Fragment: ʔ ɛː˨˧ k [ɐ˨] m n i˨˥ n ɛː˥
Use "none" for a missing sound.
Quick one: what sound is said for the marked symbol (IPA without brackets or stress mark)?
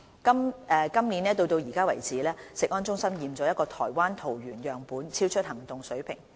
ɐ˥